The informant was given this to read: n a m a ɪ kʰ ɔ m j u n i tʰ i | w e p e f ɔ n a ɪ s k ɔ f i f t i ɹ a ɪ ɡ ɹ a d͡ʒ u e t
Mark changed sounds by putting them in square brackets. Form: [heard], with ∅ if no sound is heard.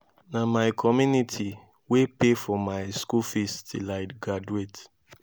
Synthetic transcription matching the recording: n a m a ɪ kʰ ɔ m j u n i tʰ i | w e p e f ɔ [m] a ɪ s k [u] f i [s] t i [l] a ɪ ɡ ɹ a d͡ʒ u e t